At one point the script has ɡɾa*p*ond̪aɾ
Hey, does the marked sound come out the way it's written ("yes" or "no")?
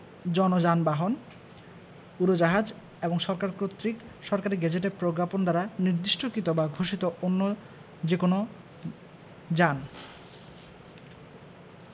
yes